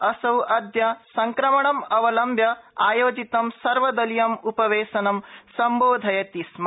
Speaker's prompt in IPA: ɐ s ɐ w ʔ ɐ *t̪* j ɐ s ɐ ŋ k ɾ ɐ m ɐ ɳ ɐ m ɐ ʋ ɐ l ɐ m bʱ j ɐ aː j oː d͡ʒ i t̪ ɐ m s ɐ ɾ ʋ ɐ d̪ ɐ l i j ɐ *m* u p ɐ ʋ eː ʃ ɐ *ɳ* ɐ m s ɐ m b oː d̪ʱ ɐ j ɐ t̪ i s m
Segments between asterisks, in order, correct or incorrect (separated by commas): incorrect, correct, incorrect